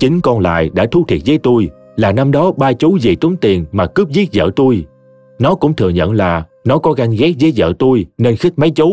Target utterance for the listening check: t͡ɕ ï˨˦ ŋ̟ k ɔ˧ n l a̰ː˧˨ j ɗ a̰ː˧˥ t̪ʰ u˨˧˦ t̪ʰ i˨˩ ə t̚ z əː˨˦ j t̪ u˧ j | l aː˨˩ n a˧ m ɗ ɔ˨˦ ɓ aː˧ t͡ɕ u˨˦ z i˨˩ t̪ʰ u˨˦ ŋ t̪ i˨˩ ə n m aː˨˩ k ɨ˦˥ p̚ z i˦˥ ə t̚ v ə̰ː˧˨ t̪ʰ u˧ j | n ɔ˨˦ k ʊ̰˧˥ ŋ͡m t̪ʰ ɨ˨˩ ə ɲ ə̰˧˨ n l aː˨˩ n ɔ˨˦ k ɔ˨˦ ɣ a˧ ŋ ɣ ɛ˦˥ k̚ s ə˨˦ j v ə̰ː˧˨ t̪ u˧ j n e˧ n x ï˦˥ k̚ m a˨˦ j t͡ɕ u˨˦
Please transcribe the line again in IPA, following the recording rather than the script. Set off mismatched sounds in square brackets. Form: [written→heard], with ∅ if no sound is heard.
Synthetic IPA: t͡ɕ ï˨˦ ŋ̟ k ɔ˧ n l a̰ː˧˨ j ɗ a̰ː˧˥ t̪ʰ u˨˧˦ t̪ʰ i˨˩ ə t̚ z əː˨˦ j t̪ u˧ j | l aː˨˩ n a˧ m ɗ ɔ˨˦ ɓ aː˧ t͡ɕ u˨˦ z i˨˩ [t̪ʰ→t̪] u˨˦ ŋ t̪ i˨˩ ə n m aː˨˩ k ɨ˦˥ p̚ z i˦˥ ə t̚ [v→z] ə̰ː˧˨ [t̪ʰ→t̪] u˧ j | n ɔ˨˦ k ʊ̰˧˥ ŋ͡m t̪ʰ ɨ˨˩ ə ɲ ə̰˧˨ n l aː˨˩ n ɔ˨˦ k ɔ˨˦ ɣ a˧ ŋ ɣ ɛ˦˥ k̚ [s→z] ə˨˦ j [v→z] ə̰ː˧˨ t̪ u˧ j n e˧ n x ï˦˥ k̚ m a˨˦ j t͡ɕ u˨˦